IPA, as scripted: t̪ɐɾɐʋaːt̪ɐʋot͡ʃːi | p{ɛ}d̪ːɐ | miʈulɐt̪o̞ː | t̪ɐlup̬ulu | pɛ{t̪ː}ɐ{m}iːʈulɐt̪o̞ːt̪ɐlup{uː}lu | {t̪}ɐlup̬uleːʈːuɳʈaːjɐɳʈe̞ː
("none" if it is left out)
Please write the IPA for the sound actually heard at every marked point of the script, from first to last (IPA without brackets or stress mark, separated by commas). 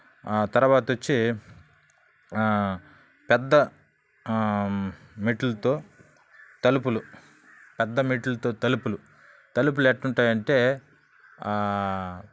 ɛ, d̪ː, m, u, t̪